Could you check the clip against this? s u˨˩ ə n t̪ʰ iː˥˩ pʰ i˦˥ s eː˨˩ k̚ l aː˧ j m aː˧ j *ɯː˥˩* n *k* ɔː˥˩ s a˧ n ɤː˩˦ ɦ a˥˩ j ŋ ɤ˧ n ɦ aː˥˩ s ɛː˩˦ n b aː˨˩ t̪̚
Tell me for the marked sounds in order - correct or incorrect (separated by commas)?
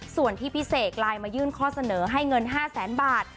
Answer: correct, incorrect